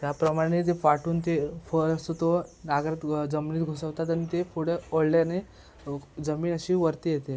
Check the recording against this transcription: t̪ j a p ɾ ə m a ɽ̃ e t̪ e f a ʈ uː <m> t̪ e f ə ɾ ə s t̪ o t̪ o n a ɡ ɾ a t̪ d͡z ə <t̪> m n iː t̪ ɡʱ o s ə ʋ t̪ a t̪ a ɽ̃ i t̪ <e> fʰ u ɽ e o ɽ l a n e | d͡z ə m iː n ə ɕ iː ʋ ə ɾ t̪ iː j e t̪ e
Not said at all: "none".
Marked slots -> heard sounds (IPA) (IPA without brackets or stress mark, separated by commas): n, none, e